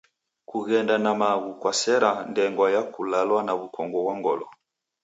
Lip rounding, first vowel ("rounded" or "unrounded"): rounded